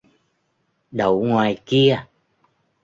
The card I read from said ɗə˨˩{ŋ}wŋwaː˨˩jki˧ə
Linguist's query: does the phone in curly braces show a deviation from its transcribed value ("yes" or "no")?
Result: yes